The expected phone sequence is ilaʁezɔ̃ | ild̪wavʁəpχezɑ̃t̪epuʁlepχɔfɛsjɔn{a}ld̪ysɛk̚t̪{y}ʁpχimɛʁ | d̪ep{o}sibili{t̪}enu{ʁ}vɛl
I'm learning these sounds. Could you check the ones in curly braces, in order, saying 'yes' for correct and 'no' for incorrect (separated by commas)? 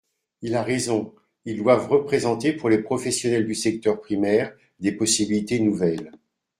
no, no, no, yes, no